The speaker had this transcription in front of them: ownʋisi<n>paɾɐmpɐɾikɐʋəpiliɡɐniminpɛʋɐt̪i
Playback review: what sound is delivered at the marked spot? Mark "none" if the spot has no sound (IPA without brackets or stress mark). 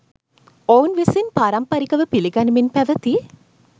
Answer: n